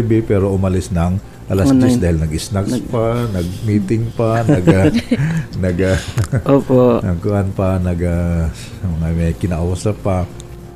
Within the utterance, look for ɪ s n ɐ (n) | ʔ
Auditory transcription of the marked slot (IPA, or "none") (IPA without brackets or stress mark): ŋ